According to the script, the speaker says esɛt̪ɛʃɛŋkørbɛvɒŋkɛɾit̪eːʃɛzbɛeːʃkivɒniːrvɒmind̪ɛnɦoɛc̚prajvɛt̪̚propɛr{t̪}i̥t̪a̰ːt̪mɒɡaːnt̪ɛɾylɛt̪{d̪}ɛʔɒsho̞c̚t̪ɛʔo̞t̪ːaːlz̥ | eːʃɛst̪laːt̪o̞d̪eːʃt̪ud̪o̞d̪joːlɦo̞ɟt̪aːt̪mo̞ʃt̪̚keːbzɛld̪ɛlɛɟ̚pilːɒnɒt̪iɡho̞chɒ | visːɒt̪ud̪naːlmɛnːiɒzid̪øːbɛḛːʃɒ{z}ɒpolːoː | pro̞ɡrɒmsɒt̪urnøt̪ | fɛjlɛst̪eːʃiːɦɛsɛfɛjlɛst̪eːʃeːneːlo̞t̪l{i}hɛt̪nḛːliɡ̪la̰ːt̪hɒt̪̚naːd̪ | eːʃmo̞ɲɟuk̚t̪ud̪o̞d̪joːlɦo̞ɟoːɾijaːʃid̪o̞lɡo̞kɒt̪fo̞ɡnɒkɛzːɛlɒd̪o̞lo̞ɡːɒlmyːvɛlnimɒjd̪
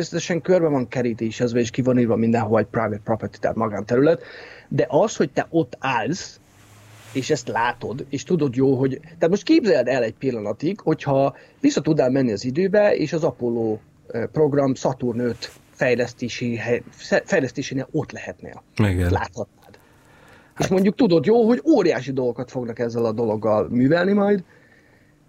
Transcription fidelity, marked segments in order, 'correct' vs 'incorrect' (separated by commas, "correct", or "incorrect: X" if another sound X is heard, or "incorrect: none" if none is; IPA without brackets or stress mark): correct, correct, correct, incorrect: ɛ